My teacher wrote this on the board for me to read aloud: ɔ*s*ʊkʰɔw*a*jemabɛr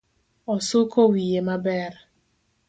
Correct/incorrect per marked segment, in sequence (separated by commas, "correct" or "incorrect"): correct, incorrect